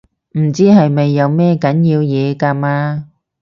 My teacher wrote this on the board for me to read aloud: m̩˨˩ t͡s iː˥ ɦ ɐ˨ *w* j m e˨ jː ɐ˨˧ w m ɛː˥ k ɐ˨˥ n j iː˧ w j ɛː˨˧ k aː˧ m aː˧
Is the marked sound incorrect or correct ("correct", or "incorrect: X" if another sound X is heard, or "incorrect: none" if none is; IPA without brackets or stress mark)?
incorrect: none